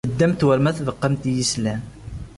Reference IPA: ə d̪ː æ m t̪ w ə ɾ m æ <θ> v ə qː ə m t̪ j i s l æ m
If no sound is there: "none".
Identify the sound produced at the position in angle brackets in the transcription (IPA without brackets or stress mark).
θ